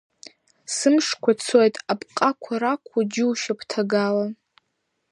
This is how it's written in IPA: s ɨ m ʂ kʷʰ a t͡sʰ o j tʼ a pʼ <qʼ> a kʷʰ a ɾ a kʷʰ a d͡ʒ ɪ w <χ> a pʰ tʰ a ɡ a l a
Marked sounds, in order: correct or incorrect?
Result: correct, incorrect: ʃ

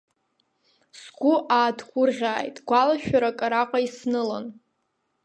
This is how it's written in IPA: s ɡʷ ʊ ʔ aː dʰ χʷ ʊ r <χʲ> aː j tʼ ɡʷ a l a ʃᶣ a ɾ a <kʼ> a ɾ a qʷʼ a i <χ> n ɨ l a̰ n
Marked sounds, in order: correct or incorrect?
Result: incorrect: ʁʲ, correct, incorrect: s

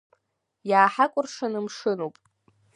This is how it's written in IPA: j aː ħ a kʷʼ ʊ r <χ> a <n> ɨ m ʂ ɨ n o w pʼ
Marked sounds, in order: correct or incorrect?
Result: incorrect: ʂ, correct

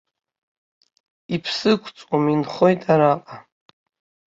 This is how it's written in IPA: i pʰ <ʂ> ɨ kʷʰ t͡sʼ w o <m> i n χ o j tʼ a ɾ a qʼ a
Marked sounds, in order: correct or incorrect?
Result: incorrect: s, correct

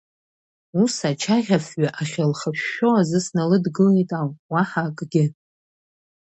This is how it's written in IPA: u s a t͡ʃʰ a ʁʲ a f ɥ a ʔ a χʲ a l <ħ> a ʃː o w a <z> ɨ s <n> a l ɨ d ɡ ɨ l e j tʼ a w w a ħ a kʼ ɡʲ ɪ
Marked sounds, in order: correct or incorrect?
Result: incorrect: χ, correct, correct

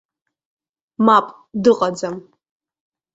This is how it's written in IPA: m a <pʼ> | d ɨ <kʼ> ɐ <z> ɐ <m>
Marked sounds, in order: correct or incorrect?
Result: correct, incorrect: qʼ, incorrect: d͡z, correct

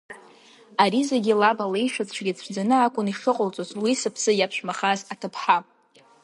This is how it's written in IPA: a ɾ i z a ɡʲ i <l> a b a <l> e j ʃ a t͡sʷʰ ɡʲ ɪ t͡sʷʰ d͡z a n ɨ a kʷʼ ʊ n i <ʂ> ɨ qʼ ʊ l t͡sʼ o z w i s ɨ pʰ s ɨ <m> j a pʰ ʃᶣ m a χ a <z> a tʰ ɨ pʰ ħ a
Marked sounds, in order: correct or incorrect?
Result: correct, correct, correct, incorrect: none, correct

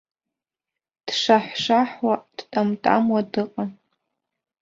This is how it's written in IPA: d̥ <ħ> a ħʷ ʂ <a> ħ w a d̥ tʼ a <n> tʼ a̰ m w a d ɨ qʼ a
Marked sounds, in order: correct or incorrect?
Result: incorrect: ʂ, correct, incorrect: m

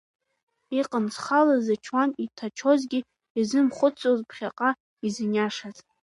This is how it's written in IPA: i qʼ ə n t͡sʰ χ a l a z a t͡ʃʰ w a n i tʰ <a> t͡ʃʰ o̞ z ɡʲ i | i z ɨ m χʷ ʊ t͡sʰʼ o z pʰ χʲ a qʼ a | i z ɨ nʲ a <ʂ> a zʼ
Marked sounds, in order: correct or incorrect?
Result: correct, correct

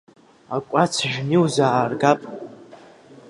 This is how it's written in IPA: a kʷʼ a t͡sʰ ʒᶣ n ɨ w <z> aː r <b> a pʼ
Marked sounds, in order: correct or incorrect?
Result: correct, incorrect: ɡ

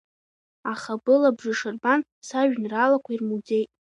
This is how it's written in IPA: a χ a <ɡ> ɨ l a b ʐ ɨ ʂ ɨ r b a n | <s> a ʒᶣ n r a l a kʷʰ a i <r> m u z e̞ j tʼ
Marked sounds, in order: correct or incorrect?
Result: incorrect: b, correct, correct

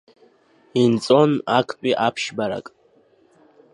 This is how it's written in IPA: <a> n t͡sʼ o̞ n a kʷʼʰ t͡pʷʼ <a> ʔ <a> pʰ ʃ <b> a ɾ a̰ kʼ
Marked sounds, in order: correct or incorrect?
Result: incorrect: i, incorrect: i, correct, correct

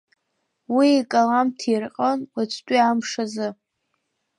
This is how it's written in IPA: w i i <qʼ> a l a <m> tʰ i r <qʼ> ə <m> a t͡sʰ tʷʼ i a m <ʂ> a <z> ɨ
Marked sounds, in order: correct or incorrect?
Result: incorrect: kʼ, correct, correct, incorrect: n, correct, correct

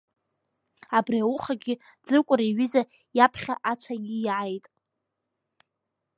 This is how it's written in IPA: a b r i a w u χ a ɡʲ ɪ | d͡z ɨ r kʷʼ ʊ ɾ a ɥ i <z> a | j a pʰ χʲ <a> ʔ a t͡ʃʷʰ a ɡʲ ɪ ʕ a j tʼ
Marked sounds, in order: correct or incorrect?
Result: correct, correct

